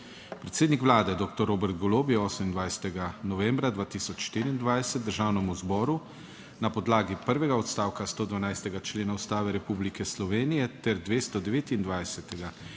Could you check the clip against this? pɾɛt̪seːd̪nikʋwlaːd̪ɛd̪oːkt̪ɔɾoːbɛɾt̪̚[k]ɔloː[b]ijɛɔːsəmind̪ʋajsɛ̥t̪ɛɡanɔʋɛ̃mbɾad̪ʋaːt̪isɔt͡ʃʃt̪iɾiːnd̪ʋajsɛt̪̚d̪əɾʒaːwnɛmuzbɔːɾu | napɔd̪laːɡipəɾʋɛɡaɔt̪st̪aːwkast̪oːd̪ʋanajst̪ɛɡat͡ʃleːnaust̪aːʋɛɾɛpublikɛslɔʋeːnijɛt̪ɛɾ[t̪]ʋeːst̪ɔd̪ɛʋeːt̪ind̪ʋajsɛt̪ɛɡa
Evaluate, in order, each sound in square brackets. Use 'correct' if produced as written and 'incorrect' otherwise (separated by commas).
incorrect, correct, incorrect